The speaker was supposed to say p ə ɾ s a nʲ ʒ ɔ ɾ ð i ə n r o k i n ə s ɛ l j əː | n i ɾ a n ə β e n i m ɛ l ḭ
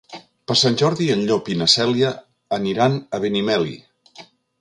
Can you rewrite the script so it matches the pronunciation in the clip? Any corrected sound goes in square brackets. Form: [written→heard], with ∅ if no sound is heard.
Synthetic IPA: p ə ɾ s a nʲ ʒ ɔ ɾ ð i ə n [r→ʎ] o [k→p] i n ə s ɛ l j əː | n i ɾ a n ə β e n i m ɛ l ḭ

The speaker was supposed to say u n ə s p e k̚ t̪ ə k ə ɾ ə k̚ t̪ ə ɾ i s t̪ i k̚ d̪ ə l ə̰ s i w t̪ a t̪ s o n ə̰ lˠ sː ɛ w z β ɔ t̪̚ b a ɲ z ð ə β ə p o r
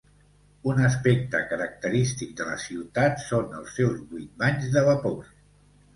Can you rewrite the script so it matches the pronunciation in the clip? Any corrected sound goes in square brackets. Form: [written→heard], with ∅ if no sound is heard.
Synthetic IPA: u n ə s p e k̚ t̪ ə k ə ɾ ə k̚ t̪ ə ɾ i s t̪ i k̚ d̪ ə l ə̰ s i w t̪ a t̪ s o n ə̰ lˠ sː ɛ w z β [ɔ→u] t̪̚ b a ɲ z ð ə β ə p o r

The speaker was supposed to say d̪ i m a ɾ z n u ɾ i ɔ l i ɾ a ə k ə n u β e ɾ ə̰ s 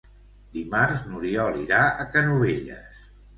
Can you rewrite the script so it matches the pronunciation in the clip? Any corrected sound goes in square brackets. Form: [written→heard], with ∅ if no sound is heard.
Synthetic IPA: d̪ i m a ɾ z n u ɾ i ɔ l i ɾ a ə k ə n u β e [ɾ→ʎ] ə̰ s

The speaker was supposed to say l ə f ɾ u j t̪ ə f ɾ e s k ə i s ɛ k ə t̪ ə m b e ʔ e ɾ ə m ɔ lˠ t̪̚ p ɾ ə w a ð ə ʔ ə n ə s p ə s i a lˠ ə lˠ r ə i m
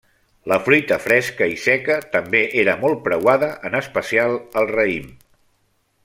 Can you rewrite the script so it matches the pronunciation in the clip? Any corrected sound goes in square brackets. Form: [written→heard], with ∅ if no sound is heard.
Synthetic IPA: l ə f ɾ u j t̪ ə f ɾ [e→ɛ] s k ə i s ɛ k ə t̪ ə m b e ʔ e ɾ ə m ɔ lˠ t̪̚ p ɾ ə w a ð ə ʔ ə n ə s p ə s i a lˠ ə lˠ r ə i m

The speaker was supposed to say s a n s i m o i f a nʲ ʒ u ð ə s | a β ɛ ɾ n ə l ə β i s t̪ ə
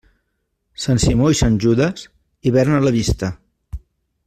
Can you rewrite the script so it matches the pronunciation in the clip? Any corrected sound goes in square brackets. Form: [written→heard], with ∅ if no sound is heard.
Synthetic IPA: s a n s i m o i [f→s] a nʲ ʒ u ð ə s | [a→i] β ɛ ɾ n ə l ə β i s t̪ ə

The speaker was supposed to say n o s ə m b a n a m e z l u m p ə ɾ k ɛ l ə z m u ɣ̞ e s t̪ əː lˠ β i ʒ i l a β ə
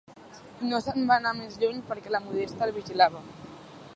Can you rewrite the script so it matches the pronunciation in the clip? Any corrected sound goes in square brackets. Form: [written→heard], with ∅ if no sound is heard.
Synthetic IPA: n o s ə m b a n a m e z [l→ʎ] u [m→ɲ] p ə ɾ k ɛ l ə [z→∅] m u [ɣ̞→ð̞] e s t̪ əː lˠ β i ʒ i l a β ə

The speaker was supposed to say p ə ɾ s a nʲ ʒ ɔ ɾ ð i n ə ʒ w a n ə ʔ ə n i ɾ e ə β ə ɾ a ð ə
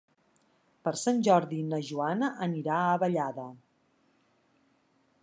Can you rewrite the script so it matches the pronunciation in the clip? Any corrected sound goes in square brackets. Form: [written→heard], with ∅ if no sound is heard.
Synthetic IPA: p ə ɾ s a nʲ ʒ ɔ ɾ ð i n ə ʒ [w→u] a n ə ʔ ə n i ɾ [e→a] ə β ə [ɾ→ʎ] a ð ə

